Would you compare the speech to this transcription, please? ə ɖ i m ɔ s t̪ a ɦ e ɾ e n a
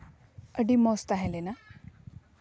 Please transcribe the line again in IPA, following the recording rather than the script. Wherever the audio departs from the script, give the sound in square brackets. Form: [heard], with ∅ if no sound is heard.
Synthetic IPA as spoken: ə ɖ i m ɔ s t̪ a ɦ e [l] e n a